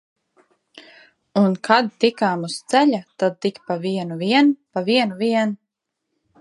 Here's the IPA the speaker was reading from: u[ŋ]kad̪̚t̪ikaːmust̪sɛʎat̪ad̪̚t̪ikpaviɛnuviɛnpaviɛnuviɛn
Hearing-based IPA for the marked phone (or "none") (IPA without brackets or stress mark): n